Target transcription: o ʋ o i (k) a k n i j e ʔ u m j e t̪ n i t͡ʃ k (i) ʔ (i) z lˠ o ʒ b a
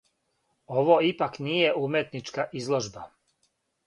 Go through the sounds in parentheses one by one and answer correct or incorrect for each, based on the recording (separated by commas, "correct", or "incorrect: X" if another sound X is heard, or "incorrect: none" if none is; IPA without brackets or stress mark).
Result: incorrect: p, incorrect: a, correct